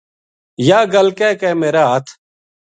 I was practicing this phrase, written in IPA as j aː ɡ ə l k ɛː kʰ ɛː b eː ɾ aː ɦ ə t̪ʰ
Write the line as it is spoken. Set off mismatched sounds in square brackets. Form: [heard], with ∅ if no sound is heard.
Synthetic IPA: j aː ɡ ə l k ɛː [k] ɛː [m] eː ɾ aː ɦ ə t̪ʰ

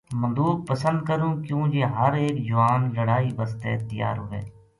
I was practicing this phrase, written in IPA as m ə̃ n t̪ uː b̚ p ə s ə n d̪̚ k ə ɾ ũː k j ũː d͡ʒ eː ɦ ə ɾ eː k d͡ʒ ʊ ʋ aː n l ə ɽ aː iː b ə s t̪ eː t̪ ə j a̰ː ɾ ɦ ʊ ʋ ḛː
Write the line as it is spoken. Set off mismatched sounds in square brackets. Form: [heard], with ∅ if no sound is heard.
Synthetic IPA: m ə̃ n [d̪] uː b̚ p ə s ə n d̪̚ k ə ɾ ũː k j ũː d͡ʒ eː ɦ ə ɾ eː k d͡ʒ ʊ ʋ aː n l ə ɽ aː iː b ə s t̪ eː t̪ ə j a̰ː ɾ ɦ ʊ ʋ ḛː

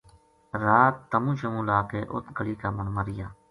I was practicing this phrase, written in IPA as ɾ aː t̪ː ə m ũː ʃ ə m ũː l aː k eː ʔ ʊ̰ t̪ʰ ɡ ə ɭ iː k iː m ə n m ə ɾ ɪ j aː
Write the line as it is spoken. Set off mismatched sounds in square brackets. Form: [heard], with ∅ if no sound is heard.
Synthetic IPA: ɾ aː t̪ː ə m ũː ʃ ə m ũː l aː k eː ʔ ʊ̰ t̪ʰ ɡ ə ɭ iː k [aː] m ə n m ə ɾ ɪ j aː

